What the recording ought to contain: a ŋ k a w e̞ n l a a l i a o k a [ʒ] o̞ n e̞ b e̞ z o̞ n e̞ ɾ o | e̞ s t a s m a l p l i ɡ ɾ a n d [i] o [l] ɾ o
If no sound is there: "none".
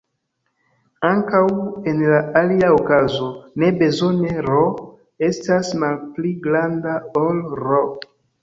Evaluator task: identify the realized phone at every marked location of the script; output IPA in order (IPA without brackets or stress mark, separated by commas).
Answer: z, a, l